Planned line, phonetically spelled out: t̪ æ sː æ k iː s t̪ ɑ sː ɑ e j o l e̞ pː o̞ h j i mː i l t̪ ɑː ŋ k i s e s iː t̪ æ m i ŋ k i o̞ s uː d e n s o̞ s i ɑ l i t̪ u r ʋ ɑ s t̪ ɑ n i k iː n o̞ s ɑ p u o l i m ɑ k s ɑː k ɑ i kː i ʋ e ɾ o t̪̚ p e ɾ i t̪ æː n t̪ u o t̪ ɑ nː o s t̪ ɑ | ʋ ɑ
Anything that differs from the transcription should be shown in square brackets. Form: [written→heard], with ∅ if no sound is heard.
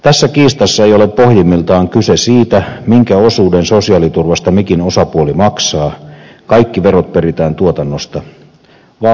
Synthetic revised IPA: t̪ æ sː æ k iː s t̪ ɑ sː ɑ e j o l e̞ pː o̞ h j i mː i l t̪ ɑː ŋ k [i→y] s e s iː t̪ æ m i ŋ k [i→æ] o̞ s uː d e n s o̞ s i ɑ l i t̪ u r ʋ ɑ s t̪ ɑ [n→m] i k [iː→i] n o̞ s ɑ p u o l i m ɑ k s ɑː k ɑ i kː i ʋ e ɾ o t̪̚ p e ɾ i t̪ æː n t̪ u o t̪ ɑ nː o s t̪ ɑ | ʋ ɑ

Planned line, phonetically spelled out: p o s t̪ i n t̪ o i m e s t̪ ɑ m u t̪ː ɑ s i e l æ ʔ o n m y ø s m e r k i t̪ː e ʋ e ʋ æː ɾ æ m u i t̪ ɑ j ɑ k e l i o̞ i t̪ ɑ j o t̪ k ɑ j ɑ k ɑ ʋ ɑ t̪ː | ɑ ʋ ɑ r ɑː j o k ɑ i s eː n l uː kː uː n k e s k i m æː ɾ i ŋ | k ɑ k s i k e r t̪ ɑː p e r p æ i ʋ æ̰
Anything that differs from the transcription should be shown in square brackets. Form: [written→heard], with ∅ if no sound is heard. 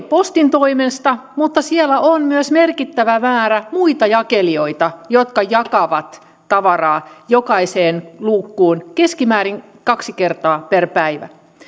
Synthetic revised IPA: p o s t̪ i n t̪ o i m e s t̪ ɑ m u t̪ː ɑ s i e l æ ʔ o n m y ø s m e r k i t̪ː [e→æ] ʋ [e→æ] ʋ æː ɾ æ m u i t̪ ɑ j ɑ k e l i o̞ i t̪ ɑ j o t̪ k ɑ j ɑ k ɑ ʋ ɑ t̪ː | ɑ ʋ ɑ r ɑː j o k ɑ i s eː n l uː kː uː n k e s k i m æː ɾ i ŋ | k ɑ k s i k e r t̪ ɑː p e r p æ i ʋ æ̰

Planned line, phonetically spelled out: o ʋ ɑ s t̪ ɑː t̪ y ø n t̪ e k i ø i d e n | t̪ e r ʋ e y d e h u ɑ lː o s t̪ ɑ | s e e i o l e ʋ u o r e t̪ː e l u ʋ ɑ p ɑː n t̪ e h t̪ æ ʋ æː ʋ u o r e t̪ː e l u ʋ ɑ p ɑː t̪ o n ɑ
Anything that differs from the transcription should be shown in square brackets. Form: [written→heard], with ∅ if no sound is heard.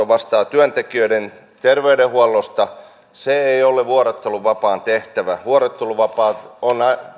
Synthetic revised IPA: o ʋ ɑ s t̪ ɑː t̪ y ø n t̪ e k i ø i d e n | t̪ e r ʋ e y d e h u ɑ lː o s t̪ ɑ | s e e i o l e ʋ u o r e t̪ː e l u ʋ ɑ p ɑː n t̪ e h t̪ æ ʋ [æː→æ] ʋ u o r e t̪ː e l u ʋ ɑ p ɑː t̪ o n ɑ

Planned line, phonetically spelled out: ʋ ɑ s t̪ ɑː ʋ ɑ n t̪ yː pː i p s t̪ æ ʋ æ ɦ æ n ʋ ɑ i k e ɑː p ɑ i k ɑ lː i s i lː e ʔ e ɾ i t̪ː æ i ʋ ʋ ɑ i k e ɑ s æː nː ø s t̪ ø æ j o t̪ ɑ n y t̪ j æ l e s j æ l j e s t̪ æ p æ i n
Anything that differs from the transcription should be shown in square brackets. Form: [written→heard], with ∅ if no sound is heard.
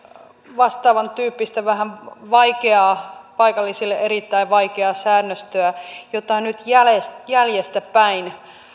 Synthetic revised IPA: ʋ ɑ s t̪ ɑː ʋ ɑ n t̪ yː pː i [p→∅] s t̪ æ ʋ æ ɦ æ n ʋ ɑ i k e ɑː p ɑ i k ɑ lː i s i lː e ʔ e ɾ i t̪ː æ i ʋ ʋ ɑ i k e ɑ s æː nː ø s t̪ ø æ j o t̪ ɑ n y t̪ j æ l e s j æ l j e s t̪ æ p æ i n

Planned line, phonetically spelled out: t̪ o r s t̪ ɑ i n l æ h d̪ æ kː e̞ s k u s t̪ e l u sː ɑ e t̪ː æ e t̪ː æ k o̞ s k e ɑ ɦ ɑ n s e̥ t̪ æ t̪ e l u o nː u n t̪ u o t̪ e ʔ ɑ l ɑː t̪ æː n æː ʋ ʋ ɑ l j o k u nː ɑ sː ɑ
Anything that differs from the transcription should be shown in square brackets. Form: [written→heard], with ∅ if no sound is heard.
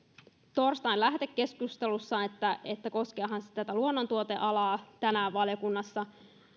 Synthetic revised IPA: t̪ o r s t̪ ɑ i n l æ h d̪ [æ→e] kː e̞ s k u s t̪ e l u sː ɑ e t̪ː æ e t̪ː æ k o̞ s k e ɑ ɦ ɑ n s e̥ t̪ æ t̪ [e→æ] l u o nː [u→o] n t̪ u o t̪ e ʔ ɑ l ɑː t̪ [æː→æ] n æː ʋ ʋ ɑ l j o k u nː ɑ sː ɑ

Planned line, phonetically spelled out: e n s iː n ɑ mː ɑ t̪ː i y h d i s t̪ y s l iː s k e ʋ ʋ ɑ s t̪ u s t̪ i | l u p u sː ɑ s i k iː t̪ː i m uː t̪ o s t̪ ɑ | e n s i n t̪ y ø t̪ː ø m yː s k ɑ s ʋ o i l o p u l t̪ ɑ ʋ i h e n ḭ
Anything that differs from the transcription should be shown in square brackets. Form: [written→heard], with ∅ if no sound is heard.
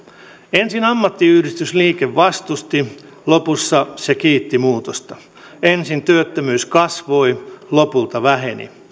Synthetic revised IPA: e n s [iː→i] n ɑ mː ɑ t̪ː i y h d i s t̪ y s l iː [s→∅] k e ʋ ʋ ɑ s t̪ u s t̪ i | l [u→o] p u sː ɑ s [i→e] k iː t̪ː i m uː t̪ o s t̪ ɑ | e n s i n t̪ y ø t̪ː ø m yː s k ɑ s ʋ o i l o p u l t̪ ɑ ʋ [i→æ] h e n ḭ

